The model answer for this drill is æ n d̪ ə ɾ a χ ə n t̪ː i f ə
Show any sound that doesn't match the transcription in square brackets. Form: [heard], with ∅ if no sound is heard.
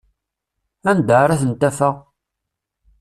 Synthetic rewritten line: æ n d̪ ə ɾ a [θ] ə n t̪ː [æ] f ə